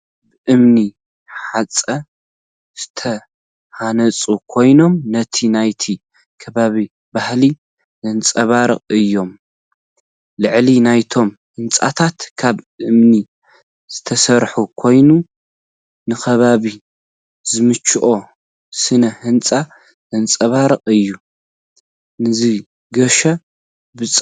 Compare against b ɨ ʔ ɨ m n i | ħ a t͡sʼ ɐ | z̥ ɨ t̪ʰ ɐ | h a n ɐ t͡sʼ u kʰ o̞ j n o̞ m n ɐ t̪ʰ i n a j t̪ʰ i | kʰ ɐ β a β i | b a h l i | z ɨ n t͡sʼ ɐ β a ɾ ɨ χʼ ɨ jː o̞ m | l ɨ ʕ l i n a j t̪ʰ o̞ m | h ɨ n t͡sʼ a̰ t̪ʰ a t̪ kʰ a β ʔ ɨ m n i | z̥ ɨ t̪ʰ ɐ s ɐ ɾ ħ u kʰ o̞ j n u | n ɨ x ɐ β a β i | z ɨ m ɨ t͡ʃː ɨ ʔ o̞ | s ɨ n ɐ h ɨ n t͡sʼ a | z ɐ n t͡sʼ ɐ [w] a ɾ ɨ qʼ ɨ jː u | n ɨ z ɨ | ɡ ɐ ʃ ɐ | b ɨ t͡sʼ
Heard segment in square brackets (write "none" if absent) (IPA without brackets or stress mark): β